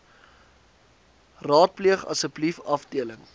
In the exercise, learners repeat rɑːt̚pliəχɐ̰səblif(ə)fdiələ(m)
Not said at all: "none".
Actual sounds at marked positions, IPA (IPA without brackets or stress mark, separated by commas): ɐ, ŋ